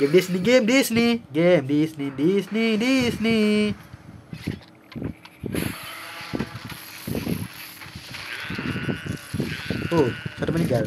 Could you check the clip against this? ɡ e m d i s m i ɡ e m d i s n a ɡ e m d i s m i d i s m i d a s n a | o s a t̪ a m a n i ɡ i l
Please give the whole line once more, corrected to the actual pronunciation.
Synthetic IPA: ɡ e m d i s n i ɡ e m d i s n i ɡ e m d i s n i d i s n i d i s n i | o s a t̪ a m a n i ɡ a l

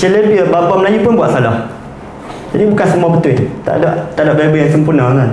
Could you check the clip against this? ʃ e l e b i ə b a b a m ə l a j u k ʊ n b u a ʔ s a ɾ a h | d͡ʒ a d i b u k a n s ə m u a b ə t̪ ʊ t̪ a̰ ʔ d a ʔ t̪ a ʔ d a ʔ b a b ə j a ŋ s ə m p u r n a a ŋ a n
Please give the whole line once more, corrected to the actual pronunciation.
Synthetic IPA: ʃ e l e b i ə b a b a m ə l a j u p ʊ n b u a ʔ s a l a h | d͡ʒ a d i b u k a n s ə m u a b ə t̪ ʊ t̪ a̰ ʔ d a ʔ t̪ a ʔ d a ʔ b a b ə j a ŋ s ə m p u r n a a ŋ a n

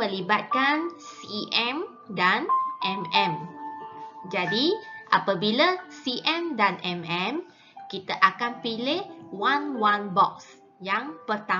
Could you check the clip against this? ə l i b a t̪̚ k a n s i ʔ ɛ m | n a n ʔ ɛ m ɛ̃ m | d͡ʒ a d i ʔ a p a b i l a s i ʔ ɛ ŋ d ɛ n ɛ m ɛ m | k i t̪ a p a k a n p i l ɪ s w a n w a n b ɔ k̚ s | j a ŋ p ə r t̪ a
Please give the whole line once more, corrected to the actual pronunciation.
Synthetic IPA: ə l i b a t̪̚ k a n s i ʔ ɛ m | d a n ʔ ɛ m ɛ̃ m | d͡ʒ a d i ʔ a p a b i l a s i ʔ ɛ m d a n ɛ m ɛ m | k i t̪ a ʔ a k a n p i l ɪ h w a n w a n b ɔ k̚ s | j a ŋ p ə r t̪ a

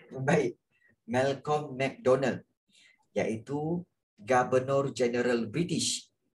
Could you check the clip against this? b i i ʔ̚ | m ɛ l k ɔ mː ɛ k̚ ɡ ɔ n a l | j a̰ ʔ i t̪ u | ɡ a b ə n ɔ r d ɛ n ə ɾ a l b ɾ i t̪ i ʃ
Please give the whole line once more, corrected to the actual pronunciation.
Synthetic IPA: b a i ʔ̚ | m ɛ l k ɔ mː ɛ k̚ d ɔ n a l | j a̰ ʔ i t̪ u | ɡ a b ə n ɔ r d͡ʒ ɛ n ə ɾ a l b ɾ i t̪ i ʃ

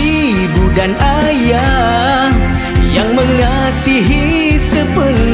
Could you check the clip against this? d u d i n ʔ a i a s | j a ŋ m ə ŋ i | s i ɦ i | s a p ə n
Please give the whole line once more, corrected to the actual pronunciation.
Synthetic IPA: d u d a n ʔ a j a | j a ŋ m ə ŋ a | s i ɦ i | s ə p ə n

